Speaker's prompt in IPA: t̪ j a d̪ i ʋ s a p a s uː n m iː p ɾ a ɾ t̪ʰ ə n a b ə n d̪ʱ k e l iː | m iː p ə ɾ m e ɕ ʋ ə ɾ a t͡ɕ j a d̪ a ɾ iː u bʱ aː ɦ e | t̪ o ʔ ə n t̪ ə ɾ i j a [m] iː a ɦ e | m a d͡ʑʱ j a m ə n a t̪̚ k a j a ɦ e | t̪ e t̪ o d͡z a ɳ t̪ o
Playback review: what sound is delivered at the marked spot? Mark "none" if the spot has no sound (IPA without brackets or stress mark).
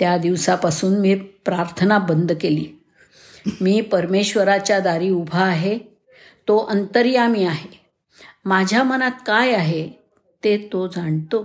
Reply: m